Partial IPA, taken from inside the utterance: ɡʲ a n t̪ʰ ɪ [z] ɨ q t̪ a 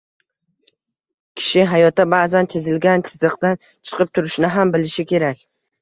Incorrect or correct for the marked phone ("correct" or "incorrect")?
correct